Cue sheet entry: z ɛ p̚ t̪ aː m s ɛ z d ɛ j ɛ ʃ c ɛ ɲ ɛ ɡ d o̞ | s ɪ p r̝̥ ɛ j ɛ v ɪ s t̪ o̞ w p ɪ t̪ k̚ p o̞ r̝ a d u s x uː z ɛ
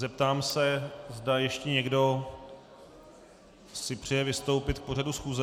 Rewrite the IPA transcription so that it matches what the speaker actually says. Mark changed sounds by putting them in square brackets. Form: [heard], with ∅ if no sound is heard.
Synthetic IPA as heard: z ɛ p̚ t̪ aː m s ɛ z d [a] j ɛ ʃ c ɛ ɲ ɛ ɡ d o̞ | s ɪ p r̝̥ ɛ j ɛ v ɪ s t̪ o̞ w p ɪ t̪ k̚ p o̞ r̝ a d u s x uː z ɛ

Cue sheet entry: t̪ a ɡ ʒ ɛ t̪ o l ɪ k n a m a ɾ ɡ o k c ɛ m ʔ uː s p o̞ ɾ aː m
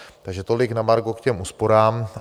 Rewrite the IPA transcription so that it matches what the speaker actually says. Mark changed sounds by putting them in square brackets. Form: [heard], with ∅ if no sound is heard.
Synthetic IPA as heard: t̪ a ɡ ʒ ɛ t̪ o l ɪ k n a m a ɾ ɡ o k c ɛ m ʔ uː s p o̞ ɾ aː m

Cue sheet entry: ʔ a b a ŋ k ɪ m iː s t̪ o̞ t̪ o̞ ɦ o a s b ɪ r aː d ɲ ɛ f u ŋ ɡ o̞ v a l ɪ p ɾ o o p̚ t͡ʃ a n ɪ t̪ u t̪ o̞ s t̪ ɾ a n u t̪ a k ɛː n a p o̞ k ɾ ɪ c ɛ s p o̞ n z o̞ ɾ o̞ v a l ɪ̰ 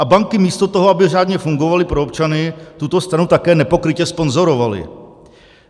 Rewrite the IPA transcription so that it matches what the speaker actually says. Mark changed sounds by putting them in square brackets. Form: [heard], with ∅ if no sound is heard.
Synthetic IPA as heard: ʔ a b a ŋ k ɪ m iː s t̪ o̞ t̪ o̞ ɦ o a [∅] b ɪ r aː d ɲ ɛ f u ŋ ɡ o̞ v a l ɪ p ɾ o o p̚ t͡ʃ a n ɪ t̪ u t̪ o̞ s t̪ ɾ a n u t̪ a k ɛː n [ɛ] p o̞ k ɾ ɪ c ɛ s p o̞ n z o̞ ɾ o̞ v a l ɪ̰

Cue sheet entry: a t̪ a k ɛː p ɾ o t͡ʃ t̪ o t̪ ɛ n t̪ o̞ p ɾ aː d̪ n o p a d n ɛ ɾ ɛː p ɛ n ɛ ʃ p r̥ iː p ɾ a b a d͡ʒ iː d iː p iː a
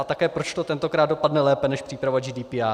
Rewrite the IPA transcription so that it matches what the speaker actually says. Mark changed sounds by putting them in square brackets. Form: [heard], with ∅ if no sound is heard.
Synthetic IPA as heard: a t̪ a k ɛː p ɾ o t͡ʃ t̪ o t̪ ɛ n t̪ o̞ [k] ɾ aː d̪ [d] o p a d n ɛ [l] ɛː p ɛ n ɛ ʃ p r̥ iː p ɾ a [v] a d͡ʒ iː d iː p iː a

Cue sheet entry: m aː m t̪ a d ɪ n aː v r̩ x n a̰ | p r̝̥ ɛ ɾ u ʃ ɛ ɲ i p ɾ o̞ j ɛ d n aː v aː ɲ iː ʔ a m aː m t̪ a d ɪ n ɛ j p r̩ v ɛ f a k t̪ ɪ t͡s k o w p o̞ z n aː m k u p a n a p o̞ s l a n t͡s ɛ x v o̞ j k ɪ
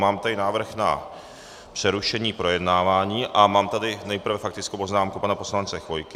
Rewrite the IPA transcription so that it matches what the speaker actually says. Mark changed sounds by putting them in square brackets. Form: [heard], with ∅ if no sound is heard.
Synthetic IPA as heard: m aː m t̪ a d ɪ n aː v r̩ x n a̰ | p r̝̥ ɛ ɾ u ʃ ɛ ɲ [iː] p ɾ o̞ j ɛ d n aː v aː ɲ iː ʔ a m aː m t̪ a d ɪ n ɛ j p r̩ v ɛ f a k t̪ ɪ t͡s k o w p o̞ z n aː m k u p a n a p o̞ s l a n t͡s ɛ x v o̞ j k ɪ

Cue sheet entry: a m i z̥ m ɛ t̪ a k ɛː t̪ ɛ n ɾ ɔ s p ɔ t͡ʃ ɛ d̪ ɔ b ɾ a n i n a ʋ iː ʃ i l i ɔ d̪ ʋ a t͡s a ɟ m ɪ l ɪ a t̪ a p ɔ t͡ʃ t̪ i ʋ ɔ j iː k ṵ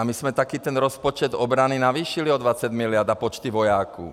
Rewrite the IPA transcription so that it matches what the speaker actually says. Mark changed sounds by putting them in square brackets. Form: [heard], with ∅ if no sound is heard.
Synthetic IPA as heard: a m i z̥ m ɛ t̪ a k [iː] t̪ ɛ n ɾ ɔ s p ɔ t͡ʃ ɛ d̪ ɔ b ɾ a n i n a ʋ iː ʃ i l i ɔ d̪ ʋ a t͡s a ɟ m [i] l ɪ a [d̪] a p ɔ t͡ʃ t̪ i ʋ ɔ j [aː] k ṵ

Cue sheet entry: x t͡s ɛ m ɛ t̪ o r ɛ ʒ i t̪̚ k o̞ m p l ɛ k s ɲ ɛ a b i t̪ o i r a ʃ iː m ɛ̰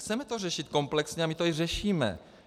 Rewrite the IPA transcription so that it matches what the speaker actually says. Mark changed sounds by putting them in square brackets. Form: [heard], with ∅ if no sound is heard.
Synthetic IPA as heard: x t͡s ɛ m ɛ t̪ o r ɛ [ʃ] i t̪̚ k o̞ m p l ɛ k s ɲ ɛ a [m] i t̪ o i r [ɛ] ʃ iː m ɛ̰

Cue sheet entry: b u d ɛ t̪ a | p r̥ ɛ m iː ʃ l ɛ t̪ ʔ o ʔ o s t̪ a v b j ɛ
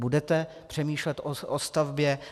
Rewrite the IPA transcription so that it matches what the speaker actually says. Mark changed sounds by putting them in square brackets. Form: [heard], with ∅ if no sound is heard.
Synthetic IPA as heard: b u d ɛ t̪ [ɛ] | p r̥ ɛ m iː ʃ l ɛ t̪ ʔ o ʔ o s t̪ a v b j ɛ

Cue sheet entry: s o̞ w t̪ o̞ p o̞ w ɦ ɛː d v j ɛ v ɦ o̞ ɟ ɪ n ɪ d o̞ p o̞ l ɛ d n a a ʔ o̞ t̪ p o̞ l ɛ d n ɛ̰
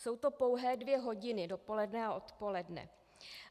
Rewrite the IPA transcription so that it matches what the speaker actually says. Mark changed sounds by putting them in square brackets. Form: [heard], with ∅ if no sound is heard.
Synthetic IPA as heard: s o̞ w t̪ o̞ p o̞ w ɦ ɛː d v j ɛ [∅] ɦ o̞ ɟ ɪ n ɪ d o̞ p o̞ l ɛ d n [ɛ] a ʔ o̞ t̪ p o̞ l ɛ d n ɛ̰

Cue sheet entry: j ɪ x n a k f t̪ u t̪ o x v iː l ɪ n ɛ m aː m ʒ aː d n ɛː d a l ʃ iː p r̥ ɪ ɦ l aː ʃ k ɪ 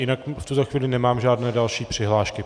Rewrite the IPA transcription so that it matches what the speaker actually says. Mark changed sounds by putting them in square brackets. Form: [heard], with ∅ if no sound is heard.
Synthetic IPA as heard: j ɪ [∅] n a k f t̪ u t̪ o x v iː l ɪ n ɛ m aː m ʒ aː d n ɛː d a l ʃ iː p r̥ ɪ ɦ l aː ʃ k ɪ

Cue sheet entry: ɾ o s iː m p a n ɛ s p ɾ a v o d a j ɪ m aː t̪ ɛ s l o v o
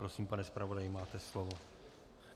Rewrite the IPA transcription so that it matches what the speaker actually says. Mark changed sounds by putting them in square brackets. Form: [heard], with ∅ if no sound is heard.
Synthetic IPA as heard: ɾ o s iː m p a n ɛ s p ɾ a v o d a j ɪ m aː t̪ ɛ s l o v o

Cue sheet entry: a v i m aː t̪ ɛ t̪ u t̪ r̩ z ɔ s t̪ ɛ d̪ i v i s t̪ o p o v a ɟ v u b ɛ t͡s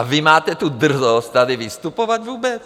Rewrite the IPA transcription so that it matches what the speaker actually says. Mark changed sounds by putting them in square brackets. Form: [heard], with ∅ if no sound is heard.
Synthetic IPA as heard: a v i m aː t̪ ɛ t̪ u [d̪] r̩ z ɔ s t̪ [a] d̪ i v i s t̪ [u] p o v a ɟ v [uː] b ɛ t͡s

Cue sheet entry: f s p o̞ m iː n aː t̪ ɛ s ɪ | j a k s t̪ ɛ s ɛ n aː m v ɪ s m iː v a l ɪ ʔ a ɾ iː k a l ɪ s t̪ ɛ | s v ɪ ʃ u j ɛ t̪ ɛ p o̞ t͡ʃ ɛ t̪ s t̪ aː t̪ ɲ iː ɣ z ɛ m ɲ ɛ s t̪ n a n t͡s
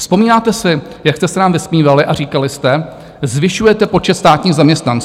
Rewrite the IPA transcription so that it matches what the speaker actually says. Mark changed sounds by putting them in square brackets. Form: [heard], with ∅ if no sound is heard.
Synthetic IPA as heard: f s p o̞ m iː n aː t̪ ɛ s ɪ | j a k s t̪ ɛ s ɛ n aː m v ɪ s m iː v a l ɪ ʔ a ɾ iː k a l ɪ s t̪ ɛ | [z] v ɪ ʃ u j ɛ t̪ ɛ p o̞ t͡ʃ ɛ t̪ s t̪ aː t̪ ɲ iː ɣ z [a] m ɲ ɛ s t̪ n a n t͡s

